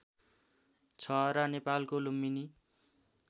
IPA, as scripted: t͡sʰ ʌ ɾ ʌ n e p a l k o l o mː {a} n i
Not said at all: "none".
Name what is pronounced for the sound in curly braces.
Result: i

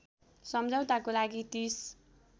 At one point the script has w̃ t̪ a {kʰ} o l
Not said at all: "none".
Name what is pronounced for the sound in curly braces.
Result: k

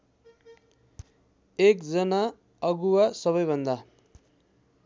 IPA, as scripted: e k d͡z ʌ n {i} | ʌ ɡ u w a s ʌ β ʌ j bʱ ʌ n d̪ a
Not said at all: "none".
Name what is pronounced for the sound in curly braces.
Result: a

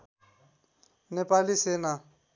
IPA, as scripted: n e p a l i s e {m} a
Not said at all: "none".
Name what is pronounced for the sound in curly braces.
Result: n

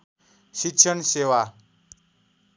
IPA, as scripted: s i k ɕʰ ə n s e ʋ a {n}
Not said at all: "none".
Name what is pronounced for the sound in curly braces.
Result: none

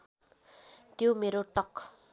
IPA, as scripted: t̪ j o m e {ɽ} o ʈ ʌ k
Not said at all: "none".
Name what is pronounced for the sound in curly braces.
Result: ɾ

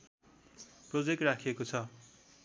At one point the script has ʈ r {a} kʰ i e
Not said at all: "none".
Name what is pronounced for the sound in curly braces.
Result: a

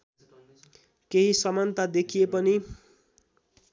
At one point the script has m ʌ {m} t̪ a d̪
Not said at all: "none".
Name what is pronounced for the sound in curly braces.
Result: n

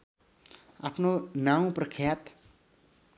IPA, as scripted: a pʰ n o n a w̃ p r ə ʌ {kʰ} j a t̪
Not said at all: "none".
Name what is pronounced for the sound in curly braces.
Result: kʰ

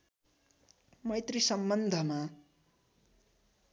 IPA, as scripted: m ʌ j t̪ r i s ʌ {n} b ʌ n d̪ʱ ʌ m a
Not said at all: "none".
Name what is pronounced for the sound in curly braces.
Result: m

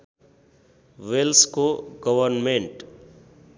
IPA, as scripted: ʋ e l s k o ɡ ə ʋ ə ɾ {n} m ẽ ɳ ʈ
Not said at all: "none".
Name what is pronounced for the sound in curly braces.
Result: n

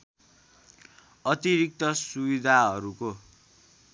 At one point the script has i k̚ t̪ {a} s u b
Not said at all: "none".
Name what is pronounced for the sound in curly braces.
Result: ʌ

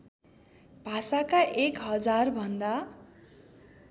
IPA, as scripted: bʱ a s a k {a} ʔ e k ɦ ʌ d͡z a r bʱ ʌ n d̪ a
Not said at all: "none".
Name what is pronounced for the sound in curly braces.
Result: a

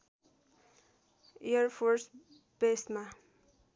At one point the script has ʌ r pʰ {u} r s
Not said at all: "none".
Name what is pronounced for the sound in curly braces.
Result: o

